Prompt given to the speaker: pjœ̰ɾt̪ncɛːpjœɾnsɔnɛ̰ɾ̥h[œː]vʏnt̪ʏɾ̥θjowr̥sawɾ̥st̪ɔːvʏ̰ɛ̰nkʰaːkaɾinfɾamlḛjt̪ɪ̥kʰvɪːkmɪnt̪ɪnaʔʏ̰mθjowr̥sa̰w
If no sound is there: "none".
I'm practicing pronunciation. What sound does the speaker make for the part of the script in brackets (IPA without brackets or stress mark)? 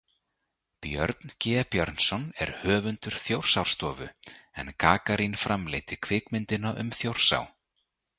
œː